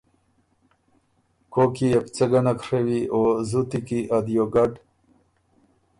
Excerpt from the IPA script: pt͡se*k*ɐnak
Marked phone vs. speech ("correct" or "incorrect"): incorrect